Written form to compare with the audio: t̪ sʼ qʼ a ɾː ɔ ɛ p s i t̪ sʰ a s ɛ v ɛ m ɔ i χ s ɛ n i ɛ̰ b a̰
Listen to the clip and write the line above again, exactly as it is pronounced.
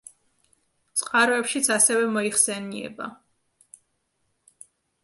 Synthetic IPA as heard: t̪ sʼ qʼ a ɾ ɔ ɛ p ʃ i t̪ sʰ a s ɛ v ɛ m ɔ i χ s ɛ n i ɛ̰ b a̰